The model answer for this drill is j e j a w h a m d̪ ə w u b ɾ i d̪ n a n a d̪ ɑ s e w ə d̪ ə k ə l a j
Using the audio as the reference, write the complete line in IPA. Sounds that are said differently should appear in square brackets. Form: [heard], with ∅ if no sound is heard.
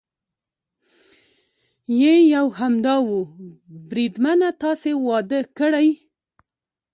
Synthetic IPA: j e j a w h a m d̪ [ɑ] w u b ɾ i d̪ [m] a n a [t̪] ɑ s e w [ɑ] d̪ ə k ə [ɽ] a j